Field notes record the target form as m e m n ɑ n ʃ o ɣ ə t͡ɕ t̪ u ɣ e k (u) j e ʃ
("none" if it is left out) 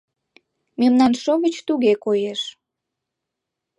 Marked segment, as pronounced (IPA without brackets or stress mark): o